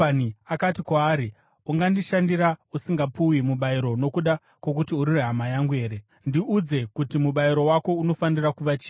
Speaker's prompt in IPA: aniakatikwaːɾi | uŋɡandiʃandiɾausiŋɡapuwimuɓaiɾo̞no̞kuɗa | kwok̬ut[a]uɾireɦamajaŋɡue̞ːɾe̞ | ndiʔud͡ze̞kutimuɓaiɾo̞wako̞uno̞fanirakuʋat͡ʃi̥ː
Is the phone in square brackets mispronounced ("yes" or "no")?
yes